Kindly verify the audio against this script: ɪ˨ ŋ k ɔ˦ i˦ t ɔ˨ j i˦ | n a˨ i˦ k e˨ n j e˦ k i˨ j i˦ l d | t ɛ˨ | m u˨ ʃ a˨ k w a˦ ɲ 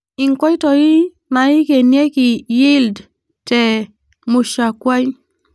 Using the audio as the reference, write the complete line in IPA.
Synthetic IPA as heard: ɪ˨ ŋ k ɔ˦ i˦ t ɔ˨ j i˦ | n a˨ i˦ k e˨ n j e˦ k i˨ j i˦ l d | t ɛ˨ | m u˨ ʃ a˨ k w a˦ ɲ